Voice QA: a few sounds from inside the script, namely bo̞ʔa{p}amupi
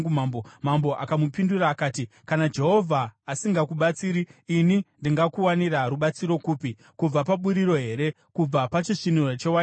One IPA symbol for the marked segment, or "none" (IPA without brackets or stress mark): k